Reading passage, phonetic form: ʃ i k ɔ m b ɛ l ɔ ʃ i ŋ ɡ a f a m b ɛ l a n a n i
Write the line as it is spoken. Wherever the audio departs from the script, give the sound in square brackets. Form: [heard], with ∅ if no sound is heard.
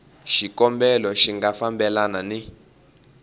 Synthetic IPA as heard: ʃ i k ɔ m b ɛ l ɔ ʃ i ŋ ɡ a f a m b ɛ l a n a n i